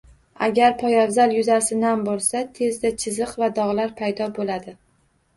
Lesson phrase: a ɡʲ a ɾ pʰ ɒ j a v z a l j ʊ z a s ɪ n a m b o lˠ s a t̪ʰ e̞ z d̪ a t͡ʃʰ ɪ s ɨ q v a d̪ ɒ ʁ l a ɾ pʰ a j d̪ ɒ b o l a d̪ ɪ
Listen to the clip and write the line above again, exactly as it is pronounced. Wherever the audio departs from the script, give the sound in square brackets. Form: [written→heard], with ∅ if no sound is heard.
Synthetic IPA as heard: a ɡʲ a ɾ pʰ ɒ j a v z a l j ʊ z a s ɪ n a m b o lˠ s a t̪ʰ e̞ z d̪ a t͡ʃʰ ɪ [s→z] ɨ q v a d̪ ɒ ʁ l a ɾ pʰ a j d̪ ɒ b o l a d̪ ɪ